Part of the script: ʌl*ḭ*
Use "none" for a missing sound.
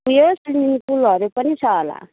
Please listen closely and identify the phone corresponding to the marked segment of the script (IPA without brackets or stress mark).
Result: a̰